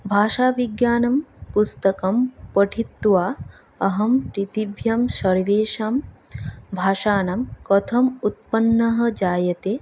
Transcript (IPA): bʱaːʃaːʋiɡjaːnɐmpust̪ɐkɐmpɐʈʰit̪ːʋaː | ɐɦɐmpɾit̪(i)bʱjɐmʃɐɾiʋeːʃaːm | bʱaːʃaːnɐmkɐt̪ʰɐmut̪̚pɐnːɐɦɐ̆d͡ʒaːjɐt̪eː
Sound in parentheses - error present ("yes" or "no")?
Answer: no